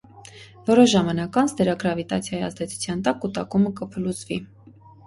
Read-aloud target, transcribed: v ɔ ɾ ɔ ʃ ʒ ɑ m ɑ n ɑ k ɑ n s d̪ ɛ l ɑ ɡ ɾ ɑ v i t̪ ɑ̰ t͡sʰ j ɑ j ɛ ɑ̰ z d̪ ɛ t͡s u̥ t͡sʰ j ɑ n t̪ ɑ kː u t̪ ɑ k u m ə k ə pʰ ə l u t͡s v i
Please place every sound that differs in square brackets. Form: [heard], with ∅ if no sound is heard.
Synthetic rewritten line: v ɔ ɾ ɔ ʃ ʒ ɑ m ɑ n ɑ k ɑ n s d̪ ɛ [ɾ] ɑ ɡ ɾ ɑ v i t̪ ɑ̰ t͡sʰ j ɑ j [i] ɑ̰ z d̪ ɛ [t͡sʰ] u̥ t͡sʰ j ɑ n t̪ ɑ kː u t̪ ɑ k u m ə k ə pʰ ə l u t͡s v i